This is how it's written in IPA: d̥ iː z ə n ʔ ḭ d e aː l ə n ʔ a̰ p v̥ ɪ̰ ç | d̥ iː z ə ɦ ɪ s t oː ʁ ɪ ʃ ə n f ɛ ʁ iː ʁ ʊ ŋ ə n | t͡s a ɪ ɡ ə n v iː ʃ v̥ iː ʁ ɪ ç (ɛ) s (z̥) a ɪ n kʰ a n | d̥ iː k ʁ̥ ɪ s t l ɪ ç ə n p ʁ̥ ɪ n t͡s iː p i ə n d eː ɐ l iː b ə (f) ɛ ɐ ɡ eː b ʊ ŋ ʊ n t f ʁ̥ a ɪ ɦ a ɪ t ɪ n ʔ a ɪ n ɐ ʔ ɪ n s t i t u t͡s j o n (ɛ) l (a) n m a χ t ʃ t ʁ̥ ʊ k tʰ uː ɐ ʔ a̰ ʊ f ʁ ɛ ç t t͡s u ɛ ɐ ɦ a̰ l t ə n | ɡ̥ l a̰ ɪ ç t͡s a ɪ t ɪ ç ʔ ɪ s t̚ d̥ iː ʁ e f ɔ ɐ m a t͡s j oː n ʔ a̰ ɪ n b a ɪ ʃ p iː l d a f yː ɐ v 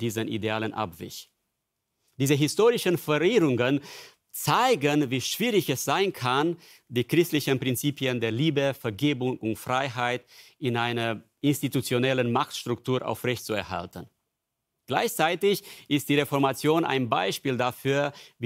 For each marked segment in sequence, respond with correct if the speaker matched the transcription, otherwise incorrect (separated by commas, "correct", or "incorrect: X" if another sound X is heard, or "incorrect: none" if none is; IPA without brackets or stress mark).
correct, correct, correct, correct, incorrect: ə